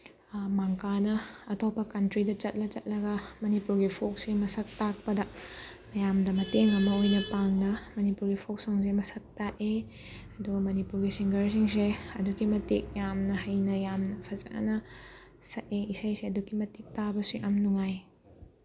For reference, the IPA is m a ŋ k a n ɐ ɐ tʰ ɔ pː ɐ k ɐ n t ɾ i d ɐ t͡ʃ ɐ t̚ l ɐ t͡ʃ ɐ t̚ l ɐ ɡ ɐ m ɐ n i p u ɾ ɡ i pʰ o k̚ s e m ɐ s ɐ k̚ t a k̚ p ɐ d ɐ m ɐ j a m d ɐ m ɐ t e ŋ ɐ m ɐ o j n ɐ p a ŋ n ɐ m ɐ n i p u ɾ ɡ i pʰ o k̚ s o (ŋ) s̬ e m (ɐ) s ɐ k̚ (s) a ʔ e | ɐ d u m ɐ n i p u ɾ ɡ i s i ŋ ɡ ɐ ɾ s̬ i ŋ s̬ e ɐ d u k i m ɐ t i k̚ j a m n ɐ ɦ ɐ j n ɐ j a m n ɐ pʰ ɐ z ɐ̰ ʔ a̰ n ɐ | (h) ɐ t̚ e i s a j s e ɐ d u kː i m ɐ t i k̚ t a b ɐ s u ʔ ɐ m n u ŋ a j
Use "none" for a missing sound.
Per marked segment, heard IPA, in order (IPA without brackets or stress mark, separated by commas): ŋ, ɐ, t, s